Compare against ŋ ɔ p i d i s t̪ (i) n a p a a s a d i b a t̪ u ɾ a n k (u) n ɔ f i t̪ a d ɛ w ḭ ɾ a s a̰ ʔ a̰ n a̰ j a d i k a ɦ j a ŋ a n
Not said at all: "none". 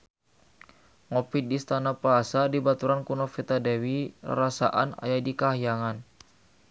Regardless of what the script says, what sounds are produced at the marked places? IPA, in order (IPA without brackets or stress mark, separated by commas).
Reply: a, u